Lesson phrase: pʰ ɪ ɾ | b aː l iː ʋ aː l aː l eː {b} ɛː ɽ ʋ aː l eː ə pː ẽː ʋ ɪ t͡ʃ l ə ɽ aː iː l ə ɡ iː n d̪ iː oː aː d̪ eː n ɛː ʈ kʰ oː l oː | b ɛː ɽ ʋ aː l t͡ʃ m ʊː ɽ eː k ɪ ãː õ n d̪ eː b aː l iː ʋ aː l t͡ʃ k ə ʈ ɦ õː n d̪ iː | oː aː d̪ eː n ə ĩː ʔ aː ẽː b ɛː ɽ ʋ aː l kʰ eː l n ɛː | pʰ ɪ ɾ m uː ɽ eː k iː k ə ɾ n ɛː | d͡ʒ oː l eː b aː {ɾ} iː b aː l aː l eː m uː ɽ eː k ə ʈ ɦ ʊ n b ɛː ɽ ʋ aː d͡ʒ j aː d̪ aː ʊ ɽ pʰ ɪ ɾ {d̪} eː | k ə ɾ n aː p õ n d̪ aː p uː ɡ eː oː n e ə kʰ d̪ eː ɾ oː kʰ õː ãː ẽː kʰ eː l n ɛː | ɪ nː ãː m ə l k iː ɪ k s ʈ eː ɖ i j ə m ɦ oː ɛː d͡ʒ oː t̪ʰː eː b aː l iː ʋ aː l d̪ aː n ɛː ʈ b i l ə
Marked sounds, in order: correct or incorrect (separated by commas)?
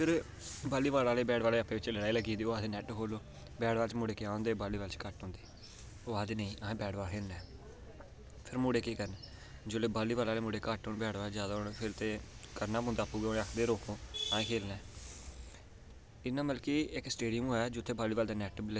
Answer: correct, incorrect, incorrect